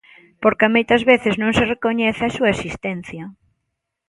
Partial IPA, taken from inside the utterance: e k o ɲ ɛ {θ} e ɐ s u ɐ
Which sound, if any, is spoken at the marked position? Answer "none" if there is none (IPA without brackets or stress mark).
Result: θ